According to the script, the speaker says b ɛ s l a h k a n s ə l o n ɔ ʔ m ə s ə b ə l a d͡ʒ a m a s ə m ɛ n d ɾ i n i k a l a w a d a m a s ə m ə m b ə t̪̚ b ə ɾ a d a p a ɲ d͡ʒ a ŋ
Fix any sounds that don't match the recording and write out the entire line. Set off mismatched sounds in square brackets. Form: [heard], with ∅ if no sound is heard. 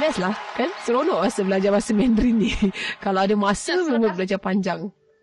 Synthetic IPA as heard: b ɛ s l a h k a n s ə [ɾ] o n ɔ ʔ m [a] s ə b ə l a d͡ʒ a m a s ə m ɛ n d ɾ i n i k a l a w a d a m a s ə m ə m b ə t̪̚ b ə [l] a [d͡ʒ] a p a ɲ d͡ʒ a ŋ